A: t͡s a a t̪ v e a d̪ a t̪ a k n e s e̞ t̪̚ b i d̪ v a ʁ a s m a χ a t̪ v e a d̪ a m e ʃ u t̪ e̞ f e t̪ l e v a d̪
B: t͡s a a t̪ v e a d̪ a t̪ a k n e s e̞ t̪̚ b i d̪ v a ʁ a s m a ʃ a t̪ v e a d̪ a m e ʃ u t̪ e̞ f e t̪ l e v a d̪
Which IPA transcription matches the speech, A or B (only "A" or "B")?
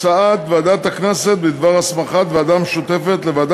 A